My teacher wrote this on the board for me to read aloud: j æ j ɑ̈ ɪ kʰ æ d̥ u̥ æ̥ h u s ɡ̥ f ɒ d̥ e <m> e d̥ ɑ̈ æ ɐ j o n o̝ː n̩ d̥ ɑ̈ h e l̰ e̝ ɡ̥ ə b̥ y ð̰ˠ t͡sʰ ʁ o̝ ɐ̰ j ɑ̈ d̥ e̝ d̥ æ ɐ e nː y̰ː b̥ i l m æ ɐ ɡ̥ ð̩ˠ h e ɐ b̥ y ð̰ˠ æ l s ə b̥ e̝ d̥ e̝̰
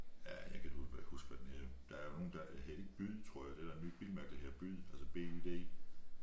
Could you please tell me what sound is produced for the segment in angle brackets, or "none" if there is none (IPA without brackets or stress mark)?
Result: n